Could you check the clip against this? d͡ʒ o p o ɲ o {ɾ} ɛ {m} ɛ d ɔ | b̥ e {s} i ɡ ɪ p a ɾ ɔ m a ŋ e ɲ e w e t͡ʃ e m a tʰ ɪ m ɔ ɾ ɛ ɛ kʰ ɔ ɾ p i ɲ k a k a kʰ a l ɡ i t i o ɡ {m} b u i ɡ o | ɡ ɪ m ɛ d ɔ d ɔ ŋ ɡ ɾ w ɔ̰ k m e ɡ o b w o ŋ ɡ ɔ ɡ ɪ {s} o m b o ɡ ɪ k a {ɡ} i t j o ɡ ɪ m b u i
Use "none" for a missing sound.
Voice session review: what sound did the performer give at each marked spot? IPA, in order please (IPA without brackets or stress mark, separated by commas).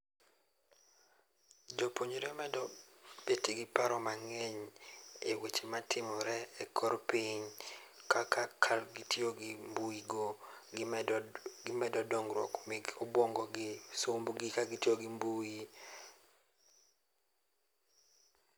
ɾ, m, t, m, s, ɡ